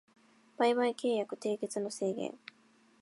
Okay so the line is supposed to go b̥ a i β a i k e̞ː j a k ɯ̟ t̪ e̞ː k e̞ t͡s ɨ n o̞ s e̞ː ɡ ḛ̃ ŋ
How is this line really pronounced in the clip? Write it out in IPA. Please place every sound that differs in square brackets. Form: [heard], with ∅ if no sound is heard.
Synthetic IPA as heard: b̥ a i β a i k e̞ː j a k ɯ̟ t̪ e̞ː k e̞ t͡s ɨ n o̞ s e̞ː ɡ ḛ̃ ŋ